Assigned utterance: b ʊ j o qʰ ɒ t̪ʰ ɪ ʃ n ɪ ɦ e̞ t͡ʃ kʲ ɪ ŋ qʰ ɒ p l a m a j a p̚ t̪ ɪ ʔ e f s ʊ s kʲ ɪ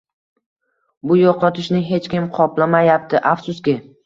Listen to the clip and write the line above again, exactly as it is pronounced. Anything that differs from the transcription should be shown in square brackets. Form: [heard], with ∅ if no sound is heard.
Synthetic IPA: b ʊ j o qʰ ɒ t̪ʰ ɪ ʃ n ɪ ɦ e̞ t͡ʃ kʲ ɪ [m] qʰ ɒ p l a m a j a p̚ t̪ ɪ ʔ [a] f s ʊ s kʲ ɪ